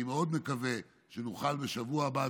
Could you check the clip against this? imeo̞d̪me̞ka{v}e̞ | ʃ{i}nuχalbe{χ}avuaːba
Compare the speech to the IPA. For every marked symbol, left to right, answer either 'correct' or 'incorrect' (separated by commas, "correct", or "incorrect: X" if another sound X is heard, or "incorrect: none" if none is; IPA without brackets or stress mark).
correct, incorrect: e, incorrect: ʃ